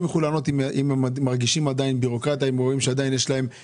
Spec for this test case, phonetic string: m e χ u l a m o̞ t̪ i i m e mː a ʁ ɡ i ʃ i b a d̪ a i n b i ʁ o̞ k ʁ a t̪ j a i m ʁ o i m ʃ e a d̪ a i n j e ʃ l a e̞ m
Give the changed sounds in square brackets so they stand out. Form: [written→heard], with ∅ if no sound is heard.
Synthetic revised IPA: m e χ u l a [m→n] o̞ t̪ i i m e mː a ʁ ɡ i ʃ i [b→m] a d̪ a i n b i ʁ o̞ k ʁ a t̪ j a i m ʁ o i m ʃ e a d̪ a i n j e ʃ l a e̞ m